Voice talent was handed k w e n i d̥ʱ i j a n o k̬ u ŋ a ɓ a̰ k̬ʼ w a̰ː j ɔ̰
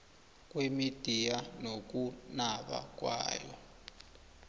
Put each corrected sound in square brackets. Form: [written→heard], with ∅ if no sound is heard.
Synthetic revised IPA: k w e [n→m] i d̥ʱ i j a n o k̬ u [ŋ→n] a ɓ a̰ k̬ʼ w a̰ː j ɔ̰